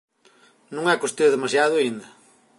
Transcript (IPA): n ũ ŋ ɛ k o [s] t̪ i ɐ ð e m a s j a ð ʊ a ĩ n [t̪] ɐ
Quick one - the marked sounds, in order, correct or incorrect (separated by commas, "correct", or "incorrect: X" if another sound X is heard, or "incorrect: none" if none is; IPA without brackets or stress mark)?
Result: correct, incorrect: d̪